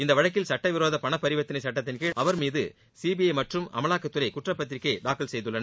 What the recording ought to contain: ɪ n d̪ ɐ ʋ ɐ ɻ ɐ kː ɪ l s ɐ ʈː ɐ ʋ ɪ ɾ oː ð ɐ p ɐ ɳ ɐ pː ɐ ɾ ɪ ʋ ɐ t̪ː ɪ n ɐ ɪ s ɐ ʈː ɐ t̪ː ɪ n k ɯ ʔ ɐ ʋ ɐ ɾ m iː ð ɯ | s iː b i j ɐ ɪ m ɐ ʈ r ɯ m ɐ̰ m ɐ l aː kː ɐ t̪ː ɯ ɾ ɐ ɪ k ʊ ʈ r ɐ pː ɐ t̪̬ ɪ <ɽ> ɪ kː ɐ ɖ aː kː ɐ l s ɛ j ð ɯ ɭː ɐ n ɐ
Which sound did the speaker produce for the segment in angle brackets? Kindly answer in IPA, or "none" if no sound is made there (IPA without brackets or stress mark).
ɾ